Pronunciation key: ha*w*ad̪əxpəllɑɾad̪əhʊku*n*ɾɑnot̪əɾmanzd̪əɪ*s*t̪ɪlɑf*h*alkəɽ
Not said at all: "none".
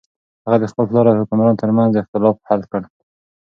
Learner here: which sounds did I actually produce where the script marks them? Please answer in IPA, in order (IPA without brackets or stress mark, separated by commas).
ɣ, m, x, h